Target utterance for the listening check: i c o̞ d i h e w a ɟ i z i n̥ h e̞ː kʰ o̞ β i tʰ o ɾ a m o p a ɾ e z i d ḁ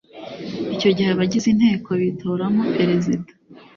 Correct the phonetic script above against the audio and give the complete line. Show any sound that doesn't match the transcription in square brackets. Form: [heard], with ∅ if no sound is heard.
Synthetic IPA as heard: i c o̞ [ɟ] i h e [β] a ɟ i z i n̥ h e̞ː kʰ o̞ β i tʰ o ɾ a m o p [e] ɾ e z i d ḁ